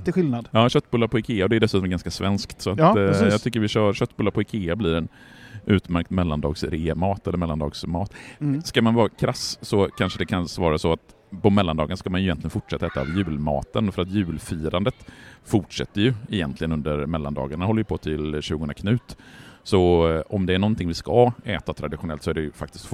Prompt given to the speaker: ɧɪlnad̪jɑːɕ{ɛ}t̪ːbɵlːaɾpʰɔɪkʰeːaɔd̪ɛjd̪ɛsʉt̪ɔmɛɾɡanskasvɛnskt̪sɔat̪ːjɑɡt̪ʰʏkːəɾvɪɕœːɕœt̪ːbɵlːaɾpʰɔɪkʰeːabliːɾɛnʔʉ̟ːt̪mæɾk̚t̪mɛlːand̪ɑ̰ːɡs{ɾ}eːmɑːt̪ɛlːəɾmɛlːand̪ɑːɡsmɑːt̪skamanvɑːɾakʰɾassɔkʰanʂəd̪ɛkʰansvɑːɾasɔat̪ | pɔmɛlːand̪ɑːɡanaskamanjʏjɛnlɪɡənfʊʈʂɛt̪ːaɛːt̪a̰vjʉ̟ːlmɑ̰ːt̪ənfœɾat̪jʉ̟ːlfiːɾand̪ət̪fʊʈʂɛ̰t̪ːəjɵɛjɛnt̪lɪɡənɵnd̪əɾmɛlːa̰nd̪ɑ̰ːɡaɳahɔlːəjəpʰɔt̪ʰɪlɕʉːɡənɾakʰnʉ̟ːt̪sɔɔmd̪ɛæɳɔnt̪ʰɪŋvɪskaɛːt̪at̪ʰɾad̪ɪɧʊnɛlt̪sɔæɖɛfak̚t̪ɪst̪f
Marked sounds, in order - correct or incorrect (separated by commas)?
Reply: incorrect, correct